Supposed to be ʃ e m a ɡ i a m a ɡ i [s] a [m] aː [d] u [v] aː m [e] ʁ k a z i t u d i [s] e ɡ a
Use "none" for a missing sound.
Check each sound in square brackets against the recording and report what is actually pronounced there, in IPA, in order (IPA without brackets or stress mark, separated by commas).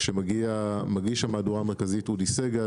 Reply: ʃ, m, d, ʁ, e, s